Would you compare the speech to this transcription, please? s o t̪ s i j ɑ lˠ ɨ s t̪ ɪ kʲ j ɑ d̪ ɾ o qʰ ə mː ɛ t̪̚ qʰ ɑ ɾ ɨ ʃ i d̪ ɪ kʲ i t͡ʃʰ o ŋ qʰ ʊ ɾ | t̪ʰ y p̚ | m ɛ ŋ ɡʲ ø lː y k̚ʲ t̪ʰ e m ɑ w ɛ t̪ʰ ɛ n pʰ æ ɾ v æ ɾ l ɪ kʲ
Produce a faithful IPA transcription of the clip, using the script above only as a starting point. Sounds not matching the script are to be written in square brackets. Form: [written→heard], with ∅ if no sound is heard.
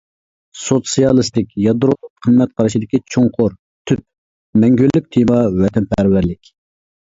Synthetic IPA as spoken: s o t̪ s i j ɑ lˠ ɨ s t̪ ɪ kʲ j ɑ d̪ ɾ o qʰ ə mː ɛ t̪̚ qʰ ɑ ɾ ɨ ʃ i d̪ ɪ kʲ i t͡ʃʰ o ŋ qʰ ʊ ɾ | t̪ʰ y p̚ | m ɛ ŋ ɡʲ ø lː y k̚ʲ t̪ʰ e m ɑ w ɛ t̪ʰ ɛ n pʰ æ ɾ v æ ɾ l ɪ kʲ